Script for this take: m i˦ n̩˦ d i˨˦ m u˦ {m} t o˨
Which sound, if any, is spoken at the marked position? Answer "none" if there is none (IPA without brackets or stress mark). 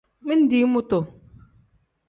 none